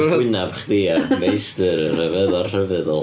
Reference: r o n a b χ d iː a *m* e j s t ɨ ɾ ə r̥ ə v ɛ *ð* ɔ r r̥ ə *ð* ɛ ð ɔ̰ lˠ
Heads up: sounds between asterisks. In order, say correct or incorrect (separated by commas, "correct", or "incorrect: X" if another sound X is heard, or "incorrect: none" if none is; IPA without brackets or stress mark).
correct, correct, incorrect: v